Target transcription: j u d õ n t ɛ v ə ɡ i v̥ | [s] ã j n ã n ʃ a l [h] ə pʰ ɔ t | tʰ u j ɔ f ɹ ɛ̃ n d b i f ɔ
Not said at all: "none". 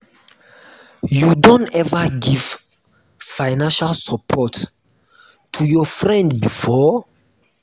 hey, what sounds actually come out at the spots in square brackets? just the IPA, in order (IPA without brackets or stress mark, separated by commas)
f, s